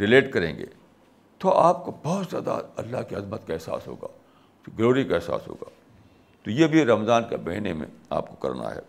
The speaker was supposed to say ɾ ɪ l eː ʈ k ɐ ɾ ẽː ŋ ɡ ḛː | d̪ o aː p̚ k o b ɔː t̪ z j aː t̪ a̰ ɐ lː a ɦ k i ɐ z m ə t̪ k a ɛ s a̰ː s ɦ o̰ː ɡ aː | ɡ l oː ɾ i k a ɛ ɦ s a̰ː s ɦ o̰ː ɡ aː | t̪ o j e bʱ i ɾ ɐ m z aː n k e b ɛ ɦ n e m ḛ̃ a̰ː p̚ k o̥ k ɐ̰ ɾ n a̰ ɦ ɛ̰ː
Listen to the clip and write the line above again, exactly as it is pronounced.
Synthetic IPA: ɾ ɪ l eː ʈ k ɐ ɾ ẽː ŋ ɡ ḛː | t̪ o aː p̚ k o b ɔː t̪ z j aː d̪ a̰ ɐ lː a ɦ k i ɐ z m ə t̪ k a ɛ s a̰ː s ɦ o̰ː ɡ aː | ɡ l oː ɾ i k a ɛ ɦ s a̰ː s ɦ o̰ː ɡ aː | t̪ o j e bʱ i ɾ ɐ m z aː n k e b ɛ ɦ n e m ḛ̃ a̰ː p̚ k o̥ k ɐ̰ ɾ n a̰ ɦ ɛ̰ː